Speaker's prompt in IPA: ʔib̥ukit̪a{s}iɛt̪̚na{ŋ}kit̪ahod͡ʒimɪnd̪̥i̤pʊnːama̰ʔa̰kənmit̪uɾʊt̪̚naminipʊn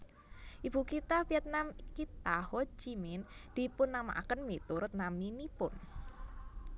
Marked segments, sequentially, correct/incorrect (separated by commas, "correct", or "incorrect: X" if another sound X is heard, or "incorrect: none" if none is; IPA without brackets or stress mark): incorrect: f, incorrect: m